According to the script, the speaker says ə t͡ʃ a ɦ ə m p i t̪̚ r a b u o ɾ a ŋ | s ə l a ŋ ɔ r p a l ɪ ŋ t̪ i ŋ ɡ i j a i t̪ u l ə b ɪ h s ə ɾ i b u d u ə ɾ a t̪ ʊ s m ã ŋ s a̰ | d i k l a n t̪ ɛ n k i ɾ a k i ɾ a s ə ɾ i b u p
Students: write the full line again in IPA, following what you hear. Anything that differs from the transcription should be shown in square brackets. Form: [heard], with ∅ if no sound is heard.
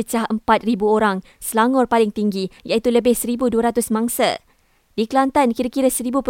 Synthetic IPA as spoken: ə t͡ʃ a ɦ ə m p [a] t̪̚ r [i] b u o ɾ a ŋ | s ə l a ŋ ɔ r p a l ɪ ŋ t̪ i ŋ ɡ i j a i t̪ u l ə b ɪ h s ə ɾ i b u d u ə ɾ a t̪ ʊ s m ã ŋ s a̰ | d i k l a n t̪ [a] n k i ɾ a k i ɾ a s ə ɾ i b u p